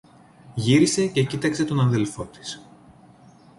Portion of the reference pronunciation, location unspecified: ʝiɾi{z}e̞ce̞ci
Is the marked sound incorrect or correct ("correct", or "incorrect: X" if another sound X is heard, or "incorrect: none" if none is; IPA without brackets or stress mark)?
incorrect: s